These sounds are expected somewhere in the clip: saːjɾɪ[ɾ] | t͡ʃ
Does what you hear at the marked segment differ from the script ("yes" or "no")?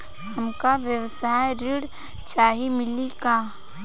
yes